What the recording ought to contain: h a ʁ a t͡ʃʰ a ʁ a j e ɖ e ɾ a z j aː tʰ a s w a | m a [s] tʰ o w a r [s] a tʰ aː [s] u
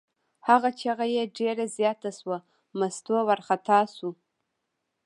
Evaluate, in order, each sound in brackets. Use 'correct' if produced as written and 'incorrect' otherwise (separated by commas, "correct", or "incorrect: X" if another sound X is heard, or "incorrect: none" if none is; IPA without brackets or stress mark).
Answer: correct, incorrect: χ, correct